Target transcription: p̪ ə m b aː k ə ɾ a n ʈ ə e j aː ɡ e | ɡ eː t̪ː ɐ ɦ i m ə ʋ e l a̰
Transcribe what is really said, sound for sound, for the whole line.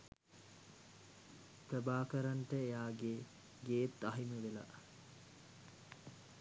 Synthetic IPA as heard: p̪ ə b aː k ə ɾ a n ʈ ə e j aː ɡ e | ɡ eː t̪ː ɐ ɦ i m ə ʋ e l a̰